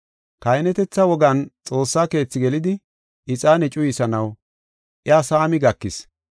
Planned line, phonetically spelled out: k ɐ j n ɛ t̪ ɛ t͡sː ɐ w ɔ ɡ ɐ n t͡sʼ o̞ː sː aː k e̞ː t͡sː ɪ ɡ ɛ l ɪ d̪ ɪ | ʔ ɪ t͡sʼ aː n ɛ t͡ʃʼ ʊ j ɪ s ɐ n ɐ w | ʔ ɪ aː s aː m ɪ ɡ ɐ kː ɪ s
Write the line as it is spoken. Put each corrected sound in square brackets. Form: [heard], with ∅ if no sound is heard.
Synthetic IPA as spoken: k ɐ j n ɛ t̪ ɛ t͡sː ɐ w ɔ ɡ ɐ n t͡sʼ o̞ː sː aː k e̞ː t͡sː ɪ ɡ ɛ l ɪ d̪ ɪ | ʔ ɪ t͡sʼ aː n ɛ t͡ʃʼ ʊ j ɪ s ɐ n ɐ w | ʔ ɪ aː s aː m ɪ ɡ ɐ kː ɪ s